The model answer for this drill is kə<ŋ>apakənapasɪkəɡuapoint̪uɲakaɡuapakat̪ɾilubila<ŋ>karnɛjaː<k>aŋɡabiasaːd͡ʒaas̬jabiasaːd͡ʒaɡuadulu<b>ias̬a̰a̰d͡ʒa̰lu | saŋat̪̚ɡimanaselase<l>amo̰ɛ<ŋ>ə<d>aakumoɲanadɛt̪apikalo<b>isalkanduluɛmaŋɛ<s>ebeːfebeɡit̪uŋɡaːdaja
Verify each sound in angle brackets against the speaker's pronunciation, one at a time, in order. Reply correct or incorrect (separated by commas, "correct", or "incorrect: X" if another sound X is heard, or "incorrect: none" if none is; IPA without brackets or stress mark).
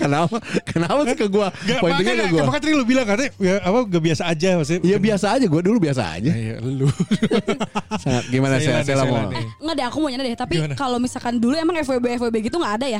incorrect: n, correct, incorrect: p, correct, correct, correct, correct, incorrect: m, incorrect: f